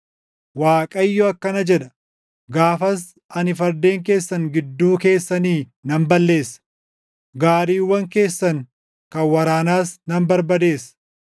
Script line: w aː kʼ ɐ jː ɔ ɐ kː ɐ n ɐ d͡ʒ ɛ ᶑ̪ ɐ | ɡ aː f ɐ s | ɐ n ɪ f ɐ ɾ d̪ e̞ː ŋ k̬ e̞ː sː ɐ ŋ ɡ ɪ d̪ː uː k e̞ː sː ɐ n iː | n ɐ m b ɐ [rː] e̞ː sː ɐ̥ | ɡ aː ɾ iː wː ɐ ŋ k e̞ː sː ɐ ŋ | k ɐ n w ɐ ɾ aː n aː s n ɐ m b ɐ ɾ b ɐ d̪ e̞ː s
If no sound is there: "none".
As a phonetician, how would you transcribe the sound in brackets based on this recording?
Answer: lː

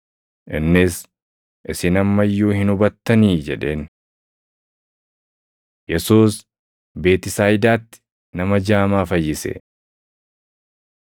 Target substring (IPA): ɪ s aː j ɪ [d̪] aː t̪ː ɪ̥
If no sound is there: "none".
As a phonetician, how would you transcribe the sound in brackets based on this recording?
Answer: d̪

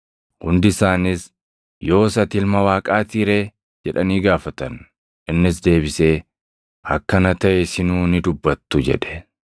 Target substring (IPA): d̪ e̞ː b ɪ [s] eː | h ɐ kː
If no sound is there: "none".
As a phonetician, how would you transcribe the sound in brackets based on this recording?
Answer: s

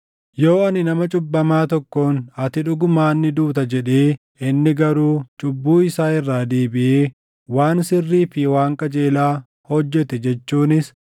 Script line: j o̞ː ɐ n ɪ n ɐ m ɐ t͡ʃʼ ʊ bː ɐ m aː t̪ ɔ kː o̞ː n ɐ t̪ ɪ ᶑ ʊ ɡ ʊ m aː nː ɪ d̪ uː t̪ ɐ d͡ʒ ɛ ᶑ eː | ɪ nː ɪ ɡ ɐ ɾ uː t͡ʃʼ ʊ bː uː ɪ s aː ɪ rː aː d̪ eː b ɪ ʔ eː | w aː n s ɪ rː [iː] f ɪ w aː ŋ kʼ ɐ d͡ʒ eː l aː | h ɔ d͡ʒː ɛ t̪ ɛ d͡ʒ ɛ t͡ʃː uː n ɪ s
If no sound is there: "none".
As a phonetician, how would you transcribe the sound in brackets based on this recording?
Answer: iː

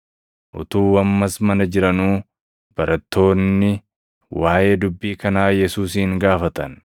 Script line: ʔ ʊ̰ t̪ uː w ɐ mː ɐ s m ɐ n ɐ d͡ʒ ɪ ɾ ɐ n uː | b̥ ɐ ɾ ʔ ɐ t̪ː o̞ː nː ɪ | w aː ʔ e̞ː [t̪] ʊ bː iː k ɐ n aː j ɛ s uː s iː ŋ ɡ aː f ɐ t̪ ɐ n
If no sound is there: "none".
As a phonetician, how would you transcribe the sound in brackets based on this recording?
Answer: d̪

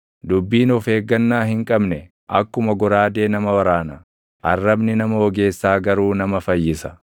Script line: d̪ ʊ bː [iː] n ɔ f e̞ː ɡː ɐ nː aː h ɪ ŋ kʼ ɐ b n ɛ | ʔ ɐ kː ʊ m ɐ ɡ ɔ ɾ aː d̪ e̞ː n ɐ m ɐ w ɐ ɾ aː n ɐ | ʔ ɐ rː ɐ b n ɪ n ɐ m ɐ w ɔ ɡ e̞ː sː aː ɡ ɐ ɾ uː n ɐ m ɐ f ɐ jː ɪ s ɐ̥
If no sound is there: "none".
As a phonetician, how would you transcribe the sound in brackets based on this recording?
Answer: iː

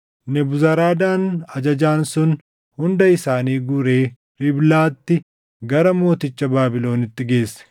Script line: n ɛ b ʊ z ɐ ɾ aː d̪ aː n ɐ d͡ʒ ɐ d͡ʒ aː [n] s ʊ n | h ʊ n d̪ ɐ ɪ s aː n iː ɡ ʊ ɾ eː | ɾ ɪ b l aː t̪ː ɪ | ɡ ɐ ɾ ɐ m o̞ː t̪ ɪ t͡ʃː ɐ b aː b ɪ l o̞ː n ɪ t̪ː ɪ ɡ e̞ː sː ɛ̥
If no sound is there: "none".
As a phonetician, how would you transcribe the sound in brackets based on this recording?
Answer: n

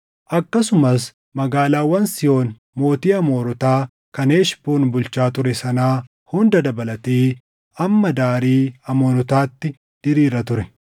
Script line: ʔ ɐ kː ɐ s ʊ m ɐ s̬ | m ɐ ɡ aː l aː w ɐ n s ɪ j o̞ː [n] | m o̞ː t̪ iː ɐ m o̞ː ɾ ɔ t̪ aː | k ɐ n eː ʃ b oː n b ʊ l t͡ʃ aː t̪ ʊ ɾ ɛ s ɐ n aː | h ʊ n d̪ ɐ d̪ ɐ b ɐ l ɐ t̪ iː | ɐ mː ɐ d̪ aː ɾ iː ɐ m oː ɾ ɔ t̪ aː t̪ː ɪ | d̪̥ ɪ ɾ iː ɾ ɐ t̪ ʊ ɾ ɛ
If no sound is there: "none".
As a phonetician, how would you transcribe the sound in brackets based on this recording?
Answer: n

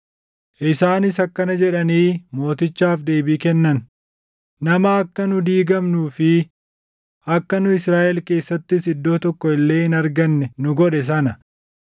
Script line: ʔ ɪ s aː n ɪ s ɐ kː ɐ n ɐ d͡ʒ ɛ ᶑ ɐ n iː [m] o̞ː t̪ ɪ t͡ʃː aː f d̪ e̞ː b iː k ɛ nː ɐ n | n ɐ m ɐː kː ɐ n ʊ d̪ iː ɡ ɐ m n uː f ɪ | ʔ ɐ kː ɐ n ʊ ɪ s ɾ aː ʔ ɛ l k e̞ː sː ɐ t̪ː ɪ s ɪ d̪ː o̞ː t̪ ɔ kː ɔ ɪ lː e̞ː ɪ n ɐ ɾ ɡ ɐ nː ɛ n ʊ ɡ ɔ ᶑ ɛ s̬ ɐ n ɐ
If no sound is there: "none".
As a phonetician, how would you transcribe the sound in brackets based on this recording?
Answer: m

